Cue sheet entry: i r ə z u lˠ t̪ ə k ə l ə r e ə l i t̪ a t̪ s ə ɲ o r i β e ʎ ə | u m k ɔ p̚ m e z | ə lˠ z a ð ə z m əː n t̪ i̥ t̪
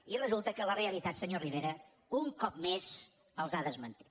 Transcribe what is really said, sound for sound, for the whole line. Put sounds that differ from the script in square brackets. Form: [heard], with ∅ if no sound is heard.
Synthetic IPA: i r ə z u lˠ t̪ ə k ə l ə r e ə l i t̪ a t̪ s ə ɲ o r i β e [ɾ] ə | u [ŋ] k ɔ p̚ m e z | ə lˠ z a ð ə z m [ə] n t̪ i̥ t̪